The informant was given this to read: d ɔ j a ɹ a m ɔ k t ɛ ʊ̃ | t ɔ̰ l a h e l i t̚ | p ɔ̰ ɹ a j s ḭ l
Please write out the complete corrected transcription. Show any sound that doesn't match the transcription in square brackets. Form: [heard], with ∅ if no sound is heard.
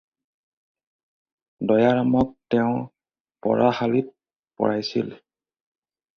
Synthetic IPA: d ɔ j a ɹ a m ɔ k t ɛ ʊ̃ | [p] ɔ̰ [ɹ] a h [a] l i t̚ | p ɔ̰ ɹ a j s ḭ l